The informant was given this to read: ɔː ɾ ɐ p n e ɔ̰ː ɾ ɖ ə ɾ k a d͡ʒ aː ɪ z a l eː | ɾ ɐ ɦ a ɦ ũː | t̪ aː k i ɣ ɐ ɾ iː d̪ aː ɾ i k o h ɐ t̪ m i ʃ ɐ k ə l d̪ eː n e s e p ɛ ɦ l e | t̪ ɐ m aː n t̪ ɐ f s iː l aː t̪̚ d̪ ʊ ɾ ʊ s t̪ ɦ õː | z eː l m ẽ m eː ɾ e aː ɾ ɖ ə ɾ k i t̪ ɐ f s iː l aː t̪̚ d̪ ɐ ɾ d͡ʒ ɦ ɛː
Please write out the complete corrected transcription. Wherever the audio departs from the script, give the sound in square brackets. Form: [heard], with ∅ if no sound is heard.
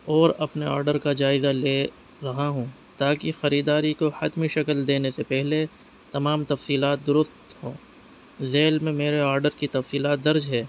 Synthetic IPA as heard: ɔː ɾ ɐ p n e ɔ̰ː ɾ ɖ ə ɾ k a d͡ʒ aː ɪ z a l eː | ɾ ɐ ɦ a ɦ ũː | t̪ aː k i [x] ɐ ɾ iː d̪ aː ɾ i k o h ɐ t̪ m i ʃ ɐ k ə l d̪ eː n e s e p ɛ ɦ l e | t̪ ɐ m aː [m] t̪ ɐ f s iː l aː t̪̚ d̪ ʊ ɾ ʊ s t̪ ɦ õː | z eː l m ẽ m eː ɾ e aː ɾ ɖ ə ɾ k i t̪ ɐ f s iː l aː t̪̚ d̪ ɐ ɾ d͡ʒ ɦ ɛː

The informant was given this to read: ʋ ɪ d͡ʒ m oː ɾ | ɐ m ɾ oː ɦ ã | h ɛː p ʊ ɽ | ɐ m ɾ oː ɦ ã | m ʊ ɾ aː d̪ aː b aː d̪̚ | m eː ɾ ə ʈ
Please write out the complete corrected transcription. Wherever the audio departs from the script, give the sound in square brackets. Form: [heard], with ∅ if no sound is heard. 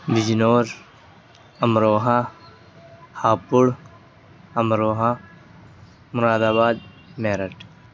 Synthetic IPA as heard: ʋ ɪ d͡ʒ [n] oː ɾ | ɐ m ɾ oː ɦ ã | h [aː] p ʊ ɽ | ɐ m ɾ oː ɦ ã | m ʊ ɾ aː d̪ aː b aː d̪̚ | m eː ɾ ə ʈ

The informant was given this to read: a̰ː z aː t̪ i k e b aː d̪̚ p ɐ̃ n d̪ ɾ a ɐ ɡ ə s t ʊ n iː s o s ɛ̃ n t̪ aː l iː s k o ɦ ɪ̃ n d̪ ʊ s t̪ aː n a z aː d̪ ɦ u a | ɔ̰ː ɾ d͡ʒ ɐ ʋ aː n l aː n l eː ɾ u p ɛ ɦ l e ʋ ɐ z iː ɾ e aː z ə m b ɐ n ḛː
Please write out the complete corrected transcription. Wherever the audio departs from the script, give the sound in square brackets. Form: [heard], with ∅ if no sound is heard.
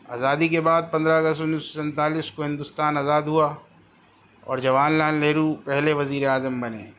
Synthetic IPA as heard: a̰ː z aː [d̪] i k e b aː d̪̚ p ɐ̃ n d̪ ɾ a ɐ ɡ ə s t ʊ n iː s o s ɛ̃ n t̪ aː l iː s k o ɦ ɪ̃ n d̪ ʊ s t̪ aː n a z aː d̪ ɦ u a | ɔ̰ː ɾ d͡ʒ ɐ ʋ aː n l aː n l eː ɾ u p ɛ ɦ l e ʋ ɐ z iː ɾ e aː z ə m b ɐ n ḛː

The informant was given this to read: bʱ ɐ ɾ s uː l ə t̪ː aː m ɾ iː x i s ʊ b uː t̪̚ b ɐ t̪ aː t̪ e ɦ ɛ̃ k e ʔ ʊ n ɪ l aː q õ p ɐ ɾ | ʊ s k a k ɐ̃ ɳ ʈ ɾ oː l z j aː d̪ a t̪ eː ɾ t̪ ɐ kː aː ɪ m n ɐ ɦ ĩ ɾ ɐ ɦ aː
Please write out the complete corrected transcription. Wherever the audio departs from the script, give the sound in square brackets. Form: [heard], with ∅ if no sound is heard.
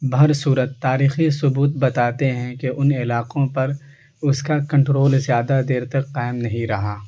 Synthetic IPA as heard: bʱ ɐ ɾ s uː [ɾ] ə t̪ː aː [∅] ɾ iː x i s ʊ b uː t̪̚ b ɐ t̪ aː t̪ e ɦ ɛ̃ k e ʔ ʊ n ɪ l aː q õ p ɐ ɾ | ʊ s k a k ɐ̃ ɳ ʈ ɾ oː l z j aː d̪ a [d̪] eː ɾ t̪ ɐ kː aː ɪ m n ɐ ɦ ĩ ɾ ɐ ɦ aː

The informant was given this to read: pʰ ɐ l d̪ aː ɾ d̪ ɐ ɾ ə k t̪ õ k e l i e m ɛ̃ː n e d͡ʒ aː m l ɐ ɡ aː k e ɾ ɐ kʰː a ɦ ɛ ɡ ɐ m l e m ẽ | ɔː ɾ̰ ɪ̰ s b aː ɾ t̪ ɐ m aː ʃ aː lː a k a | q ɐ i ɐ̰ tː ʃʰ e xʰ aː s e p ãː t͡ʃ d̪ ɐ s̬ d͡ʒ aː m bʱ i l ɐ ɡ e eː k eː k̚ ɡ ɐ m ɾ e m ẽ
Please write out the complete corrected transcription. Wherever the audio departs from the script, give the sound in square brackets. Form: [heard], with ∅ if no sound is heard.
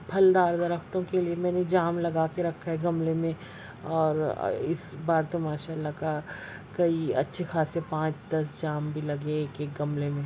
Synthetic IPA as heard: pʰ ɐ l d̪ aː ɾ d̪ ɐ ɾ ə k t̪ õ k e l i e m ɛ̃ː n e d͡ʒ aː m l ɐ ɡ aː k e ɾ ɐ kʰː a ɦ ɛ ɡ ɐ m l e m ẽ | ɔː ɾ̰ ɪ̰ s b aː ɾ t̪ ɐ m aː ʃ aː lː a k a | [k] ɐ i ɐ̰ tː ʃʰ e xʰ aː s e p ãː t͡ʃ d̪ ɐ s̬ d͡ʒ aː m bʱ i l ɐ ɡ e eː k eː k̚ ɡ ɐ m [l] e m ẽ

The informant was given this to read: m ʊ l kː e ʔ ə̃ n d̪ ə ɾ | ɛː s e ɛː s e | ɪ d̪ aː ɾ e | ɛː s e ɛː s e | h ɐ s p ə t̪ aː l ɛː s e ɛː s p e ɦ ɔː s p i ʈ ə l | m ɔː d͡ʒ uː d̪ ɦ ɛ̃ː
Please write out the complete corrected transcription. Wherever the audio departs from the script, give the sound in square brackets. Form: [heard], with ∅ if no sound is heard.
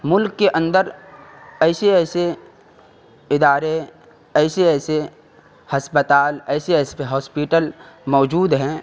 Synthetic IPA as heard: m ʊ l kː e ʔ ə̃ n d̪ ə ɾ | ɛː s e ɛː s e | ɪ d̪ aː ɾ e | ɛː s e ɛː s e | h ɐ s p ə t̪ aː l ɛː s e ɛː s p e ɦ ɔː s p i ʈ ə l | m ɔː d͡ʒ uː d̪ ɦ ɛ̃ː

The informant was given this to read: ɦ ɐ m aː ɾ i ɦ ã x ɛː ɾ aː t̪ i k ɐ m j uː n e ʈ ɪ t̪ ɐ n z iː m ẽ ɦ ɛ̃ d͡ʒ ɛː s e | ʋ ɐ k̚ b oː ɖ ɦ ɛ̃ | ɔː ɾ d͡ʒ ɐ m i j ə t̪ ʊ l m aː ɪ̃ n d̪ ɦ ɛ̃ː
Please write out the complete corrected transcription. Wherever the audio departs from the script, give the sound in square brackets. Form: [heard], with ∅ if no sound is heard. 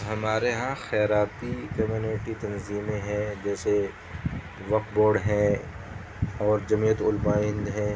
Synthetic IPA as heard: ɦ ɐ m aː ɾ [e] ɦ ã x ɛː ɾ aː t̪ i k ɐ m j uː n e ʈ [i] t̪ ɐ n z iː m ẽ ɦ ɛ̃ d͡ʒ ɛː s e | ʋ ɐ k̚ b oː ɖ ɦ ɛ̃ | ɔː ɾ d͡ʒ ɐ m i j ə t̪ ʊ l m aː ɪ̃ n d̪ ɦ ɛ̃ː

